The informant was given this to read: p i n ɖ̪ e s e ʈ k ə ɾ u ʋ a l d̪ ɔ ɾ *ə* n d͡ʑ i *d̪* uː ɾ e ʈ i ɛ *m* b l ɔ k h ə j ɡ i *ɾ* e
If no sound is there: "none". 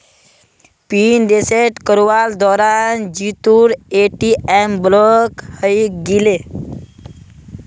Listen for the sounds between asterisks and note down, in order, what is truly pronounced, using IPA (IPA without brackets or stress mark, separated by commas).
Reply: a, t̪, m, l